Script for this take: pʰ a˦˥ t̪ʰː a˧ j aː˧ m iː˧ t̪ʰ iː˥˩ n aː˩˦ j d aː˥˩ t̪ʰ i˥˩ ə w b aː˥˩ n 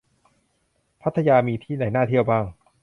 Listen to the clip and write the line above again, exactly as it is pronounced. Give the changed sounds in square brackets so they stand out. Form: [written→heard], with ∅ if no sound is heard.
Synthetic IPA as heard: pʰ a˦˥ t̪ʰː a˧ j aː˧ m iː˧ t̪ʰ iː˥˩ n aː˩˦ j [d→n] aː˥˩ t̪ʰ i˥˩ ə w b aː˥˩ [n→ŋ]